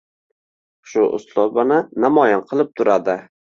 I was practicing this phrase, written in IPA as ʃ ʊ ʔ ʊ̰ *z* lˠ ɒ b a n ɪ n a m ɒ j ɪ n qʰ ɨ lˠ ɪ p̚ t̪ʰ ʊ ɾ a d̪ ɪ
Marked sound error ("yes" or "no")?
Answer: yes